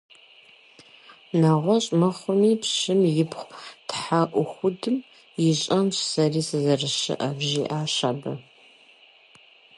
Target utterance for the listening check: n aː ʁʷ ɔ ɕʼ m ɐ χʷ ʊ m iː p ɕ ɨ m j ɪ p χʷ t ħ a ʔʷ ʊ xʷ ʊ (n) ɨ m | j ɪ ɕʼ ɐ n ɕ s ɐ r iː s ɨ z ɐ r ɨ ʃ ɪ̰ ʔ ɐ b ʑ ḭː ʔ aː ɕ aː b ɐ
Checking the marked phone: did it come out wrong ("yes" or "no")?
yes